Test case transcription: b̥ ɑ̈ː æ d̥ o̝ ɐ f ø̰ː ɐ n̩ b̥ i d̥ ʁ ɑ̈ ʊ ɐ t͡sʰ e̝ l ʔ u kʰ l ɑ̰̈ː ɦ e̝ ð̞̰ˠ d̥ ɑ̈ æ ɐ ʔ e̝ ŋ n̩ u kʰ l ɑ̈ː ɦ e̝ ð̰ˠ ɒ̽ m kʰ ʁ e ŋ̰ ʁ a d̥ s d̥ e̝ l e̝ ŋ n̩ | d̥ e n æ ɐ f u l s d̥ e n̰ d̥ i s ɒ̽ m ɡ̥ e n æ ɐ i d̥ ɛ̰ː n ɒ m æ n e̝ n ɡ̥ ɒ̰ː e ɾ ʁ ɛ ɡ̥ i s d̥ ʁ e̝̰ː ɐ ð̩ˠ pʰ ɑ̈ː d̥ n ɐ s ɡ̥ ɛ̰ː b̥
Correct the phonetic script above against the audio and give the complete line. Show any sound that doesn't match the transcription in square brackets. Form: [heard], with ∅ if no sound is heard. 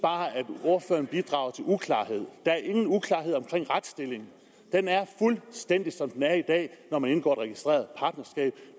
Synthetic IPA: b̥ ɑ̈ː æ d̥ o̝ ɐ f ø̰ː ɐ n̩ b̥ i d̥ ʁ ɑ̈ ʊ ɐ t͡sʰ e̝ l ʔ u kʰ l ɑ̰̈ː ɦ e̝ ð̞̰ˠ d̥ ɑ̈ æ ɐ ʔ e̝ ŋ n̩ u kʰ l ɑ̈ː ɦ e̝ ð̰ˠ ɒ̽ m kʰ ʁ e ŋ̰ ʁ a d̥ s d̥ e̝ l e̝ ŋ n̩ | d̥ e n æ ɐ f u l s d̥ e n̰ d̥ i s ɒ̽ m [d̥] e n æ ɐ i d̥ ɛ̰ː n ɒ m æ n e̝ n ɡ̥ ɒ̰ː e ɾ ʁ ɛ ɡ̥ i s d̥ ʁ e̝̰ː ɐ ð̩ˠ pʰ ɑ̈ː d̥ n ɐ s ɡ̥ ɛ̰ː b̥